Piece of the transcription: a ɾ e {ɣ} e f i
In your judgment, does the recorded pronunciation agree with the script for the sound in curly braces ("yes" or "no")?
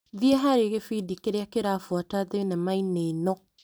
yes